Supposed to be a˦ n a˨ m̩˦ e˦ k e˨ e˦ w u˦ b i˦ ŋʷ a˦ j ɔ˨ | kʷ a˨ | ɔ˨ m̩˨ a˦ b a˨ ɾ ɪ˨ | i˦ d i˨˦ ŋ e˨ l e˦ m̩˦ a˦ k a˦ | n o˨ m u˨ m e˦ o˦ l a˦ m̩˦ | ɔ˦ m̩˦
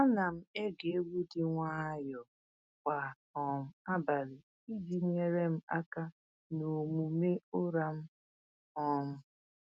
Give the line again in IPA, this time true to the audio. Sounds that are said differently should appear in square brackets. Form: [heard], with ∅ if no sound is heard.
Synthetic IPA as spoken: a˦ n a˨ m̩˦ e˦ [ɡ] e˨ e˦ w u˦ [d] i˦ ŋʷ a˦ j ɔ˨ | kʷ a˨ | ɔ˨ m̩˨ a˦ b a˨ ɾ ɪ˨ | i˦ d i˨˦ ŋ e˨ [ɾ] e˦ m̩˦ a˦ k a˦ | n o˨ m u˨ m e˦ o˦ [ɾ] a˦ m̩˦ | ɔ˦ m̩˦